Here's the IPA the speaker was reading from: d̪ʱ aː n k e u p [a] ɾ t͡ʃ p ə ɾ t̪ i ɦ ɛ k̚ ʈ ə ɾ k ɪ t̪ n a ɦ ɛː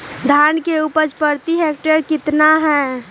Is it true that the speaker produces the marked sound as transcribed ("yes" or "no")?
no